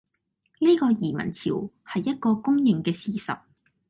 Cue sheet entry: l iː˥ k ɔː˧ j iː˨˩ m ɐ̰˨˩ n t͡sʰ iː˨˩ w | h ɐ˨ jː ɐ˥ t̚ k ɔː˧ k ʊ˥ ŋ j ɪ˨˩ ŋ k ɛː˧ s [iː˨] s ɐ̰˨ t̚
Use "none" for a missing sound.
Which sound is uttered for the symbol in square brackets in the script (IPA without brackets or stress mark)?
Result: iː˨